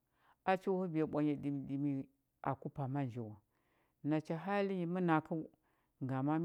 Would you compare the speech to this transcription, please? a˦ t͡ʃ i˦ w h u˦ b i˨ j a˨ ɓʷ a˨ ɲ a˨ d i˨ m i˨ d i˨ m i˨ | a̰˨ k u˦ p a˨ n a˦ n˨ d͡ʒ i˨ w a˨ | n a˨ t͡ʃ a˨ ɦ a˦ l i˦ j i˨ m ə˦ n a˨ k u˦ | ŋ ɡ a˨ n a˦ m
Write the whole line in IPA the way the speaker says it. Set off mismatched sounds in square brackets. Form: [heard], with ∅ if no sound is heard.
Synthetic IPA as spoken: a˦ t͡ʃ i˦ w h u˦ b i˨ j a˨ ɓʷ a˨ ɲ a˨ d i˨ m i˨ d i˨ m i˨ | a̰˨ k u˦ p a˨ [m] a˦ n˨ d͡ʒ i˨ w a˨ | n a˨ t͡ʃ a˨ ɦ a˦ l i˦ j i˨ m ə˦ n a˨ k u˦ | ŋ ɡ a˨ [m] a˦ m